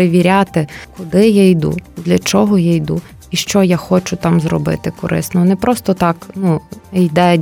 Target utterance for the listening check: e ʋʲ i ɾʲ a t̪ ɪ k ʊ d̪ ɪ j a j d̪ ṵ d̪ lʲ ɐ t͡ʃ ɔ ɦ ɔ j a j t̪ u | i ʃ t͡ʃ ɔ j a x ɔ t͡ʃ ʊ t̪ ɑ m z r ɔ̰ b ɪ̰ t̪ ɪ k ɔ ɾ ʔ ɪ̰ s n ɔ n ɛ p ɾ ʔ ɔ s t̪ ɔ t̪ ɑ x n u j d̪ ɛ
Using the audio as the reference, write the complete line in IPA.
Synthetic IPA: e ʋʲ i ɾʲ a t̪ ɪ k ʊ d̪ ɪ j a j d̪ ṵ d̪ lʲ ɐ t͡ʃ ɔ ɦ ɔ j a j d̪ u | i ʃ t͡ʃ ɔ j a x ɔ t͡ʃ ʊ t̪ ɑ m z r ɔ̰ b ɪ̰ t̪ ɪ k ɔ ɾ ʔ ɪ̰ s n ɔ n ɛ p ɾ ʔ ɔ s t̪ ɔ t̪ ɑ k n u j d̪ ɛ